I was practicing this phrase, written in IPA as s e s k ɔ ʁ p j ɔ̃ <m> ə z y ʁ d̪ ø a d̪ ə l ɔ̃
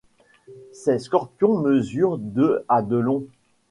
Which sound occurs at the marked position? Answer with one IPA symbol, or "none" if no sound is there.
m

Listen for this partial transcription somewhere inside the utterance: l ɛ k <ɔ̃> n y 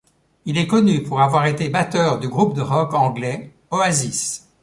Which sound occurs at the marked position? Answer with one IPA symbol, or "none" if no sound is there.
ɔ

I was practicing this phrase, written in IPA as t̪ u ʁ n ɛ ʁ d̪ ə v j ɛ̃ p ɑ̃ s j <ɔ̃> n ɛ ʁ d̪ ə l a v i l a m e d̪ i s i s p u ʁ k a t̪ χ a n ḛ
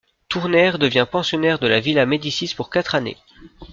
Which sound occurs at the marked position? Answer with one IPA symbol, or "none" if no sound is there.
ɔ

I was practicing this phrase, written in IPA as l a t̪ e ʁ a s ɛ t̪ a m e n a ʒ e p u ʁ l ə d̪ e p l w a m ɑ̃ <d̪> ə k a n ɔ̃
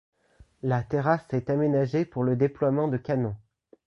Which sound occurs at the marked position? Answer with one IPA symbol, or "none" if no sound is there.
d̪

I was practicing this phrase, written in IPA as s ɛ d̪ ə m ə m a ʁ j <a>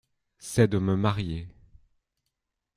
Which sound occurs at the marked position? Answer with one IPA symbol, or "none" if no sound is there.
e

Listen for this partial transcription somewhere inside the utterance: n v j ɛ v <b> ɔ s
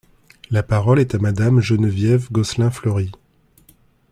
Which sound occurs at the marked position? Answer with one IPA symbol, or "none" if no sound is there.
ɡ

